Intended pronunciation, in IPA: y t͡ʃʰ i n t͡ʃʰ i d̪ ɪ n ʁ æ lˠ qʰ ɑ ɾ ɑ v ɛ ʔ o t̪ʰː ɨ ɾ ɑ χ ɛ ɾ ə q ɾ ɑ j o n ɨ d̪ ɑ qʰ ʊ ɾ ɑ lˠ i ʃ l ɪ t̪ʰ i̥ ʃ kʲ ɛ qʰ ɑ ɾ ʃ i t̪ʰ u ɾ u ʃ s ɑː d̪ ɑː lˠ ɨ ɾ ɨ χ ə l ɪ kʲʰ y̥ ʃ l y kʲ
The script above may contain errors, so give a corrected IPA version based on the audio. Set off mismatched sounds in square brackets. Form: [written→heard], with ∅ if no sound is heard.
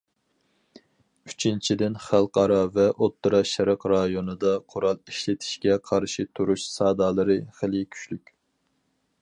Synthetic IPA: y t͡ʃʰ i n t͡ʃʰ i d̪ ɪ n [ʁ→χ] æ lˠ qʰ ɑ ɾ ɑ v ɛ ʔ o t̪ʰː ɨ ɾ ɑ [χ→ʃ] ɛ ɾ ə q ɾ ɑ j o n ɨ d̪ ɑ qʰ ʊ ɾ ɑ lˠ i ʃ l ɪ t̪ʰ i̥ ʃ kʲ ɛ qʰ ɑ ɾ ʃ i t̪ʰ u ɾ u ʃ s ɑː d̪ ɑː lˠ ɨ ɾ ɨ χ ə l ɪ kʲʰ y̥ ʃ l y kʲ